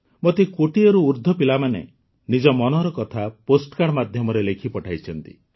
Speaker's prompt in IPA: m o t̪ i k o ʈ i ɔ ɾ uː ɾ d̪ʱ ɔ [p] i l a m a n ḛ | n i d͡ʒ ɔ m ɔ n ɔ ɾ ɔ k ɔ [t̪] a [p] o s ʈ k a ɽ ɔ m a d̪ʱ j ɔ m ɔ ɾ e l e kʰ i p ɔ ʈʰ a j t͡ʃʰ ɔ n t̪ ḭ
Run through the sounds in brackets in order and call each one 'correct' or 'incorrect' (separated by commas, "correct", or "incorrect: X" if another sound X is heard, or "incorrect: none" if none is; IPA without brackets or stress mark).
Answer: correct, incorrect: t̪ʰ, correct